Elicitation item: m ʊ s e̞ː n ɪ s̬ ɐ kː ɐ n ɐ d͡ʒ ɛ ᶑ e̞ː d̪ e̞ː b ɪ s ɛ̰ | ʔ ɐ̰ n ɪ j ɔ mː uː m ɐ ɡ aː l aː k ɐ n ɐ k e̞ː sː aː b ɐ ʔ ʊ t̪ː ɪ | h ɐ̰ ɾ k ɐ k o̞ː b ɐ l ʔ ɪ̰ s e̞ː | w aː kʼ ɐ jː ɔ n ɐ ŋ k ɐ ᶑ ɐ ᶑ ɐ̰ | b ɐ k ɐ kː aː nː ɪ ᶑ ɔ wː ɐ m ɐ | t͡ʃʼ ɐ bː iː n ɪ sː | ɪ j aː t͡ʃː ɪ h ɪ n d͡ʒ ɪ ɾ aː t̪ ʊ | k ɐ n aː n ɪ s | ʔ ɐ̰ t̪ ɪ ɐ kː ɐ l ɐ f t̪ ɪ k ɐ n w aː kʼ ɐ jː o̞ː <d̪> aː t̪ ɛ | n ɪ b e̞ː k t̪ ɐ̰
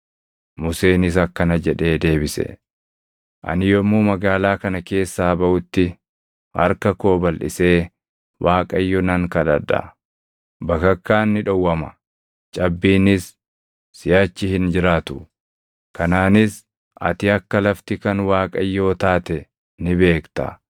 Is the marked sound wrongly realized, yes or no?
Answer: yes